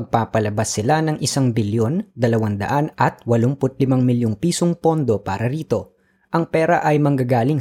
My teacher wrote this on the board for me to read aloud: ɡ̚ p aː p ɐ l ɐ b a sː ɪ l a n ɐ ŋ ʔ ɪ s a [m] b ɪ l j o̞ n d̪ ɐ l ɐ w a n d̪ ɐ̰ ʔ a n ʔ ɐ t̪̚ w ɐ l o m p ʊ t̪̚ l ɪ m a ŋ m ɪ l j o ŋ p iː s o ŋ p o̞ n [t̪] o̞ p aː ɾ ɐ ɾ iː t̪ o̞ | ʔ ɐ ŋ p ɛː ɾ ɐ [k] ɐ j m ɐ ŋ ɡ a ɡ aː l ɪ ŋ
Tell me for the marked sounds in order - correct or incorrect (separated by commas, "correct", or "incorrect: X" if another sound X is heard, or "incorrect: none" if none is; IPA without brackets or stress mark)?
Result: incorrect: ŋ, incorrect: d̪, incorrect: ʔ